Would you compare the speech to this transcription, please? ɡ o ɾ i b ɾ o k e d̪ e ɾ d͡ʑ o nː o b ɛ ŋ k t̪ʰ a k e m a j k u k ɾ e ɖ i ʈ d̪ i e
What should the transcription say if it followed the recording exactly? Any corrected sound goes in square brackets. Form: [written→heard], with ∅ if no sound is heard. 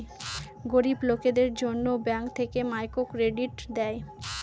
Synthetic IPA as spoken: ɡ o ɾ i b [ɾ→l] o k e d̪ e ɾ d͡ʑ o nː o b ɛ ŋ k t̪ʰ [a→e] k e m a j k [u→o] k ɾ e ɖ i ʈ d̪ [i→ɛ] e

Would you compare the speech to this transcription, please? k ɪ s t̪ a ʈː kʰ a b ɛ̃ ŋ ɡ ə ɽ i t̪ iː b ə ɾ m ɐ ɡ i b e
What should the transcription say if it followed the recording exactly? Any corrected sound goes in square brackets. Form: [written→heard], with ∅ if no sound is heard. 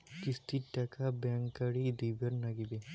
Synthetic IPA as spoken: k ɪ s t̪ [a→i] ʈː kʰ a b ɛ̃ ŋ [ɡ→k] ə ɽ i [t̪→d̪] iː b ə ɾ [m→n] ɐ ɡ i b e

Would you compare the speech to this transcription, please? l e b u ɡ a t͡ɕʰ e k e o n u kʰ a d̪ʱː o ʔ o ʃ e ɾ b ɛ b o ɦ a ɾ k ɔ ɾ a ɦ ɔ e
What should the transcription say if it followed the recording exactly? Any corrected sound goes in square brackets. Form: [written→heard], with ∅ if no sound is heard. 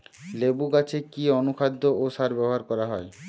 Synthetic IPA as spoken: l e b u ɡ a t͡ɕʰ e k [e→i] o n u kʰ a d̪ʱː o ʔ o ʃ [e→a] ɾ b ɛ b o ɦ a ɾ k ɔ ɾ a ɦ ɔ e

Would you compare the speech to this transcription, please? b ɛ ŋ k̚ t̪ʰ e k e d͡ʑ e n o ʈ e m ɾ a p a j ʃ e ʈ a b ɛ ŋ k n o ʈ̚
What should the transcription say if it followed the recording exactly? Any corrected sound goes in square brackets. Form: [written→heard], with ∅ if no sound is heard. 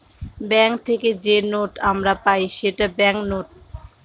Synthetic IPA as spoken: b ɛ ŋ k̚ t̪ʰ e k e d͡ʑ e n o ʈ [e→a] m ɾ a p a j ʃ e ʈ a b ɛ ŋ k n o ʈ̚

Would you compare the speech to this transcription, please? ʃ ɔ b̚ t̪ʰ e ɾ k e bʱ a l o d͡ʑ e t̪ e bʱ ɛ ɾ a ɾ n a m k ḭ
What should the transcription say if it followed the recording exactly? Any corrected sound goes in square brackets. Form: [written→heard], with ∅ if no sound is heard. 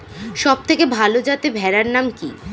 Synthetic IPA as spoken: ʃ ɔ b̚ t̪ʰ e [ɾ→∅] k e bʱ a l o d͡ʑ [e→a] t̪ e bʱ ɛ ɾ a ɾ n a m k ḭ

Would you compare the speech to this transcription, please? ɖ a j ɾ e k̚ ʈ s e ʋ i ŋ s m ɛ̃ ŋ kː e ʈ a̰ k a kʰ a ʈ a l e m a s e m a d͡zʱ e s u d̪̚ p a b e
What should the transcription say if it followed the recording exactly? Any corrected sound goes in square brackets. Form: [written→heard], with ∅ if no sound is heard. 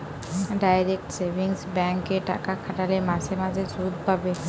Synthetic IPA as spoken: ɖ a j ɾ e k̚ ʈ s e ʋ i ŋ s [m→b] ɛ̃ ŋ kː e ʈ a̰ k a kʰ a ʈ a l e m a s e m a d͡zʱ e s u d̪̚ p a b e

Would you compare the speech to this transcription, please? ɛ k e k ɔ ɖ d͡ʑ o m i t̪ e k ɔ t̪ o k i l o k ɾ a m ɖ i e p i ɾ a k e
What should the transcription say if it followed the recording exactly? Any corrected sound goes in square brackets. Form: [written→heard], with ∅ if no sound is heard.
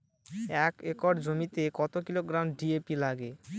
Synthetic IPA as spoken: ɛ k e k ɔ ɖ d͡ʑ o m i t̪ e k ɔ t̪ o k i l o [k→ɡ] ɾ a m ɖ i e p i [ɾ→l] a [k→ɡ] e

